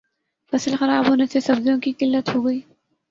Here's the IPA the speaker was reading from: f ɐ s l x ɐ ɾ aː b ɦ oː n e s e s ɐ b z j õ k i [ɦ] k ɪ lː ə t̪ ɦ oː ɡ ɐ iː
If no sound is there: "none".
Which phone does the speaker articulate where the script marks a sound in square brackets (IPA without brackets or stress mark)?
none